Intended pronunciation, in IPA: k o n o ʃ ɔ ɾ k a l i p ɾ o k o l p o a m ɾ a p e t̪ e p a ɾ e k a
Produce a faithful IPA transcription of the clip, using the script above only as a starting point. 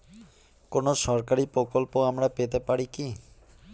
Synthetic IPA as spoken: k o n o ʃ ɔ ɾ k a ɾ i p ɾ o k o l p o a m ɾ a p e t̪ e p a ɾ i k i

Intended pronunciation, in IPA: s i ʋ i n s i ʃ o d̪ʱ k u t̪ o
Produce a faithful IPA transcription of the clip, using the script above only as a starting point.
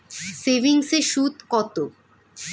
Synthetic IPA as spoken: s e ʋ i ŋ s e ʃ u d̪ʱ k ɔ t̪ o

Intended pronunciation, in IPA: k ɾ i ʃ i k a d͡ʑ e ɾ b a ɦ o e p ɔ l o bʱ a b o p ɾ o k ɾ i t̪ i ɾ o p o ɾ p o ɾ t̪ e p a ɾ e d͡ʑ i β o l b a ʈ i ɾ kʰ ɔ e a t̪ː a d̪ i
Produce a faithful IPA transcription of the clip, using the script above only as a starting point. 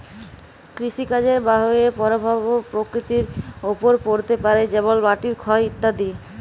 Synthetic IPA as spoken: k ɾ i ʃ i k a d͡ʑ e ɾ b a ɦ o e p ɔ ɾ o bʱ a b o p ɾ o k ɾ i t̪ i ɾ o p o ɾ p o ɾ t̪ e p a ɾ e d͡ʑ e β o l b a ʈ i ɾ kʰ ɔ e i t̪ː a d̪ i

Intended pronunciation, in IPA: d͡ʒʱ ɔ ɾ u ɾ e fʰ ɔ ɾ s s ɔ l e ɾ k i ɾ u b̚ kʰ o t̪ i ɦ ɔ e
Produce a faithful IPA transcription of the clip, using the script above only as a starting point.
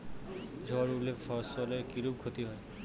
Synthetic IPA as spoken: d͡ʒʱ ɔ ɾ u l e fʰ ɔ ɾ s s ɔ l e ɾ k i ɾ u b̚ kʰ o t̪ i ɦ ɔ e

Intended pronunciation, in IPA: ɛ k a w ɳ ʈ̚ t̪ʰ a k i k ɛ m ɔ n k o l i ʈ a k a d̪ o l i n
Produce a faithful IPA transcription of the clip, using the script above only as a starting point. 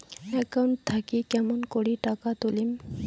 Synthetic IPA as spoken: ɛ k a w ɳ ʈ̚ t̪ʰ a k i k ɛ m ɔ n k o ɽ i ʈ a k a t̪ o l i m

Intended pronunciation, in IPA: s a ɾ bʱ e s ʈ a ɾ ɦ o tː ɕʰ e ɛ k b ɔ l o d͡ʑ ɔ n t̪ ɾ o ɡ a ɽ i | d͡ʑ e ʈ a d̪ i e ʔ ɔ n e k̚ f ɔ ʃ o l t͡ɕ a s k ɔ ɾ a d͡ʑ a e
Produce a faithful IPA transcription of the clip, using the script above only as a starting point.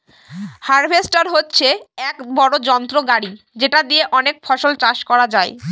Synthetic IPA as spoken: h a ɾ bʱ e s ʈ a ɾ ɦ o tː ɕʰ e ɛ k b ɔ ɽ o d͡ʑ ɔ n t̪ ɾ o ɡ a ɽ i | d͡ʑ e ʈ a d̪ i e ʔ ɔ n e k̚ f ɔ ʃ o l t͡ɕ a ʃ k ɔ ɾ a d͡ʑ a e

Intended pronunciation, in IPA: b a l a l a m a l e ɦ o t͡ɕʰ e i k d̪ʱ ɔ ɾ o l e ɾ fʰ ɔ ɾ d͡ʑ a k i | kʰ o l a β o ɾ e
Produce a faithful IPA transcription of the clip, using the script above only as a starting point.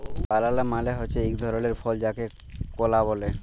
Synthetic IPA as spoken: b a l a l a m a l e ɦ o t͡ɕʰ e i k d̪ʱ ɔ ɾ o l e ɾ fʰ ɔ l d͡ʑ a k e | k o l a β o l e

